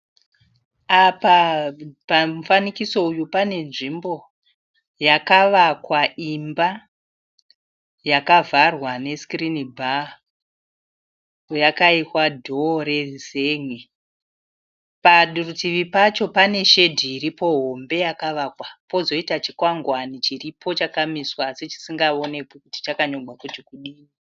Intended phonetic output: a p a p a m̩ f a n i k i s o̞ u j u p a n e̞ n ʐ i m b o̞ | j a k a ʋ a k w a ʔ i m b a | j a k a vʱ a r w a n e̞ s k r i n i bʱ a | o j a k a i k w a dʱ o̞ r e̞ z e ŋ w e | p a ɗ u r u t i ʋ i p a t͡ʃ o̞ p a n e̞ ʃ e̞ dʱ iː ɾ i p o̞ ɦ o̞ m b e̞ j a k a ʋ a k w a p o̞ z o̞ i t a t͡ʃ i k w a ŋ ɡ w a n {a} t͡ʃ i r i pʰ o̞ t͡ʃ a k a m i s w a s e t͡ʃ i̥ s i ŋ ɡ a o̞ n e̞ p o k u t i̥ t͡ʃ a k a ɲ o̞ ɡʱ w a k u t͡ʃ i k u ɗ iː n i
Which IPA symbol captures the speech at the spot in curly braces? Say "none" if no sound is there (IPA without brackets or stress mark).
i